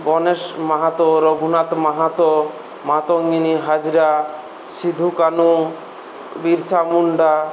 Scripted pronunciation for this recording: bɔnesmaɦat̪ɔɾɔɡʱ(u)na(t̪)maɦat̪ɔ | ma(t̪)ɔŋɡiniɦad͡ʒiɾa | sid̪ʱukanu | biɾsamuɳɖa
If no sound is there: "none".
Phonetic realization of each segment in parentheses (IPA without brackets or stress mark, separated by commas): u, t̪, t̪